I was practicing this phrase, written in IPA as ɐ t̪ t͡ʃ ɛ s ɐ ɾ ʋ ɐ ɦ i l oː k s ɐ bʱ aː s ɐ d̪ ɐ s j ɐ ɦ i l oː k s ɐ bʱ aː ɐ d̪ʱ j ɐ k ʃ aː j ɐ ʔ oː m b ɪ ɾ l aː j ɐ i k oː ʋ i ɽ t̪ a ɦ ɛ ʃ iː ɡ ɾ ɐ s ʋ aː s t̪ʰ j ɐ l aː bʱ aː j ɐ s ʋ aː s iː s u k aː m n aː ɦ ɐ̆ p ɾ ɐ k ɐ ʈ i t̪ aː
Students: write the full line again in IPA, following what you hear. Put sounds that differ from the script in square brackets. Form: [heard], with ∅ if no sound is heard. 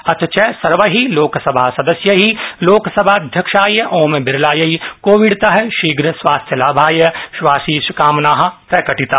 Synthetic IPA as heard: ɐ t̪ t͡ʃ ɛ s ɐ ɾ ʋ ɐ ɦ i l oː k s ɐ bʱ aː s ɐ d̪ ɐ s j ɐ ɦ i l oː k s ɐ bʱ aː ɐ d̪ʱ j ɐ k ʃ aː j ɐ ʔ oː m b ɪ ɾ l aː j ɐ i k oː ʋ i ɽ t̪ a ɦ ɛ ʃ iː ɡ ɾ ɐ s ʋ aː s t̪ʰ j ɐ l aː bʱ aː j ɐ [ʃ] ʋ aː s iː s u k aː m n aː ɦ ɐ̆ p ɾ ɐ k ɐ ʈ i t̪ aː